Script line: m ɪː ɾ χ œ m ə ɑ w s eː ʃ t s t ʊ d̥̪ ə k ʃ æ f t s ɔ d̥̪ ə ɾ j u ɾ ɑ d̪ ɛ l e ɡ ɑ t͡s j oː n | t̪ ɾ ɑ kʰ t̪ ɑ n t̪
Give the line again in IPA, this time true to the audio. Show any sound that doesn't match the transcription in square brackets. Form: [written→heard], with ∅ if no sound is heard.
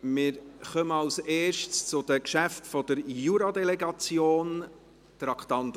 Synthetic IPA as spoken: m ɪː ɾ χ œ m ə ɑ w s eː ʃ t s [t→t͡s] ʊ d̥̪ ə k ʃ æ f t [s→f] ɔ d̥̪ ə ɾ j u ɾ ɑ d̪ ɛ l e ɡ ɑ t͡s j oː n | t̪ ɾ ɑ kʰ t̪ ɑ n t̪